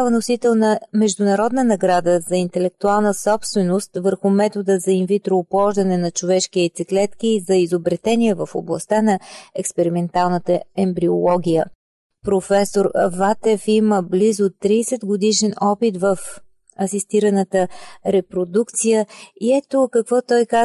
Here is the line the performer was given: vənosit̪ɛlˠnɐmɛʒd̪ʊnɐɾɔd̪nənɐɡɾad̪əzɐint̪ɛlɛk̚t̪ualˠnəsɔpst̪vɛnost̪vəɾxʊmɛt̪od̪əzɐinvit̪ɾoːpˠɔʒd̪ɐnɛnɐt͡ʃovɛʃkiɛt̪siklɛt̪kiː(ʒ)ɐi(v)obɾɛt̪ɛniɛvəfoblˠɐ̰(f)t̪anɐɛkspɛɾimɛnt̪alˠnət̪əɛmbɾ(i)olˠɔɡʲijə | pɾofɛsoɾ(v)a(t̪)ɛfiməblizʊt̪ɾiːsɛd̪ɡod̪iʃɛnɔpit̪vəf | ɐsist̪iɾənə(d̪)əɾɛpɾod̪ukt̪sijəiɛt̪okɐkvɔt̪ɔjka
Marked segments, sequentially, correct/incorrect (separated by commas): incorrect, incorrect, incorrect, correct, correct, correct, incorrect